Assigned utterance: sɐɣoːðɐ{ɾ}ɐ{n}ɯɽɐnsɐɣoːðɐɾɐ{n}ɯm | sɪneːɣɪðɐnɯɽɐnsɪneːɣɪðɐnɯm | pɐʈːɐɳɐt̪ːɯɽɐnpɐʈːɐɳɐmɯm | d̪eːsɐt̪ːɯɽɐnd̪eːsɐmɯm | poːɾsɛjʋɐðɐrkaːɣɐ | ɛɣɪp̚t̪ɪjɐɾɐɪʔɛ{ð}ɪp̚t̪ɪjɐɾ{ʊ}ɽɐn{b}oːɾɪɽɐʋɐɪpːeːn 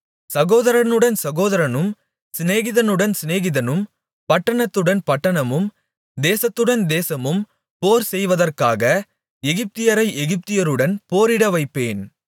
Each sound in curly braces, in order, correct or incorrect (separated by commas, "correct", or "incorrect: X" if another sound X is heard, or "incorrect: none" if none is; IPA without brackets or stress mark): correct, correct, correct, incorrect: ɣ, incorrect: ɯ, incorrect: p